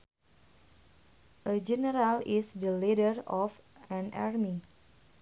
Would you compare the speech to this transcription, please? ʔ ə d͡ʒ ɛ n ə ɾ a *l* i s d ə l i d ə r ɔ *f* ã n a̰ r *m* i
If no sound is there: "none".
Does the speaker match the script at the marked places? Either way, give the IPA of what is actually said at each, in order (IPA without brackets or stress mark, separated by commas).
l, f, m